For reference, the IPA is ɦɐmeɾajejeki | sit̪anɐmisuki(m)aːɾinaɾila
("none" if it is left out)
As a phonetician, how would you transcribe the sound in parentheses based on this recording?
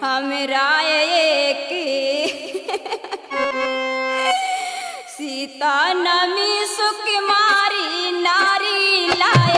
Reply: m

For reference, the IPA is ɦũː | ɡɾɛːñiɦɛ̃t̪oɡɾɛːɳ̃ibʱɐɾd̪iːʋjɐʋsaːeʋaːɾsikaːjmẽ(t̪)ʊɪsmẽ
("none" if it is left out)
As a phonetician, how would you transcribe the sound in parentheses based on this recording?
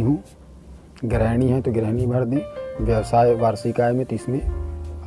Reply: t̪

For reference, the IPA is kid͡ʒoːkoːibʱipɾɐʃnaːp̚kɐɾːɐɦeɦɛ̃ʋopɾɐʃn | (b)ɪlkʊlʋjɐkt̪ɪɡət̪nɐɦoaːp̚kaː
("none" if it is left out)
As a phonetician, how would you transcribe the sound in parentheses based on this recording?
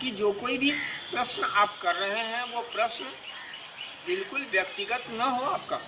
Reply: b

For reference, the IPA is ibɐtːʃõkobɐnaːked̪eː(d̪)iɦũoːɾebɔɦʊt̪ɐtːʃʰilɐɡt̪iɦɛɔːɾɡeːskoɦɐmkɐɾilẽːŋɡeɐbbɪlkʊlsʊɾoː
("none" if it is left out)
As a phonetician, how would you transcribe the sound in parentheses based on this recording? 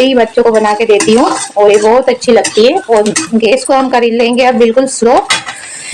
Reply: t̪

